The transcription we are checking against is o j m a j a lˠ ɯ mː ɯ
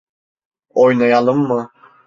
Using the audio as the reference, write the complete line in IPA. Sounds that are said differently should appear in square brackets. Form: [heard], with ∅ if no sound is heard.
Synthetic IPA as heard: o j [n] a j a lˠ ɯ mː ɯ